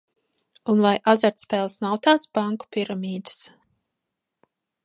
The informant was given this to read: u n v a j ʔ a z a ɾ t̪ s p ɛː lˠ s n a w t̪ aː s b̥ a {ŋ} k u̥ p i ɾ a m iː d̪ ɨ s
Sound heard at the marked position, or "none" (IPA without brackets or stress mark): ŋ